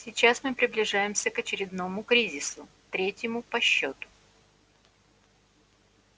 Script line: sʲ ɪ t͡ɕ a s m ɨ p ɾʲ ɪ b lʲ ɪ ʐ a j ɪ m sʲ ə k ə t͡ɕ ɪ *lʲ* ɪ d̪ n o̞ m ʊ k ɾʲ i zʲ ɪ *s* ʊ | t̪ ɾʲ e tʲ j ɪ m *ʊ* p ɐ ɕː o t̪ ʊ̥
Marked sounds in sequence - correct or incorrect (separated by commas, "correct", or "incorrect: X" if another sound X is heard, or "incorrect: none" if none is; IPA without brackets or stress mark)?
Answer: incorrect: ɾʲ, correct, correct